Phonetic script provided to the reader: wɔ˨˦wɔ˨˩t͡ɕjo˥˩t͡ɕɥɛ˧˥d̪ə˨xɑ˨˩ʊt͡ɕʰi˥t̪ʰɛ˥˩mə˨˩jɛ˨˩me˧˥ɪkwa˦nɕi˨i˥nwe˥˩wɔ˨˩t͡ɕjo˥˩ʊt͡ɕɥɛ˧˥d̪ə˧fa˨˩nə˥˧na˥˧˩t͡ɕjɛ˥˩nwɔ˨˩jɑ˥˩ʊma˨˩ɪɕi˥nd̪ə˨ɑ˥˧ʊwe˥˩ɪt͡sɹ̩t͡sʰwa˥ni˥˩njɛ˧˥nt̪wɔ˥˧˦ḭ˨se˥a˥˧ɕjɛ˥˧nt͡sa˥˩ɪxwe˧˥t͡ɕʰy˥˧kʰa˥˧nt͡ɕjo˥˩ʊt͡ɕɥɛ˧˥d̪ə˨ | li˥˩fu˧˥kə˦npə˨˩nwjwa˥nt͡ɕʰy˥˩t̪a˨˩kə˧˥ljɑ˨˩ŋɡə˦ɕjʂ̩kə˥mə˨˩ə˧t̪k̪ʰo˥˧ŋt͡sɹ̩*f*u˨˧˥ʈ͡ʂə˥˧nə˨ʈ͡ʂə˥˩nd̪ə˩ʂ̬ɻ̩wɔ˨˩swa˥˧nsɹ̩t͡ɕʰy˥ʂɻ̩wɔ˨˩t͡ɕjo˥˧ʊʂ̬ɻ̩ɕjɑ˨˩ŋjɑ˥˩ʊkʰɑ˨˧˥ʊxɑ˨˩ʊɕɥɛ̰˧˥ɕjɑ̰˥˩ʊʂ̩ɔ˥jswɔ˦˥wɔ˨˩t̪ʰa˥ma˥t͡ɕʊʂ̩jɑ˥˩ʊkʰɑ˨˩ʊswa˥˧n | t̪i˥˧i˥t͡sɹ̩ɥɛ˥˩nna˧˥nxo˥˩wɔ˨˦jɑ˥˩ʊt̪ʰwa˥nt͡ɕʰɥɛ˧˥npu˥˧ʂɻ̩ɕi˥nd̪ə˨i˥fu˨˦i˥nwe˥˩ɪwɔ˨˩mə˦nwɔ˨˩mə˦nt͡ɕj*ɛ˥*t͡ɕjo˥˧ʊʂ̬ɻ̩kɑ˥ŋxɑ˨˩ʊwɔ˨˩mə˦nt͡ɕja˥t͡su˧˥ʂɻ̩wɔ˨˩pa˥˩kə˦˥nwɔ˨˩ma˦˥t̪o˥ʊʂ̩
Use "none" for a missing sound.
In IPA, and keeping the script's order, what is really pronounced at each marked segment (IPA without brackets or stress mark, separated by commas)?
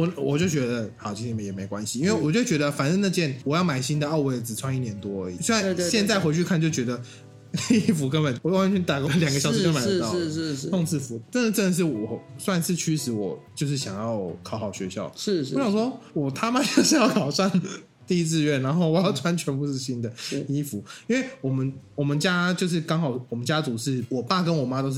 f, a˥